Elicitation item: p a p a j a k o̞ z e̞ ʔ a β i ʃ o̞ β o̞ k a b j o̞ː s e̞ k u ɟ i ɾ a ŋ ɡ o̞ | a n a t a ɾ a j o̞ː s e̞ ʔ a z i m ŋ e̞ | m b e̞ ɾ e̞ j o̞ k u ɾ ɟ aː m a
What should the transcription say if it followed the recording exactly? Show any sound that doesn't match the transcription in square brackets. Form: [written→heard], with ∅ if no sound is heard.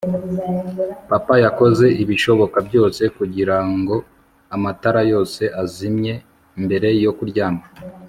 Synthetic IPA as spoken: p a p a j a k o̞ z e̞ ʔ [a→i] β i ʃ o̞ β o̞ k a b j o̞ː s e̞ k u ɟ i ɾ a ŋ ɡ o̞ | a [n→m] a t a ɾ a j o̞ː s e̞ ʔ a z i m [ŋ→ɲ] e̞ | m b e̞ ɾ e̞ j o̞ k u ɾ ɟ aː m a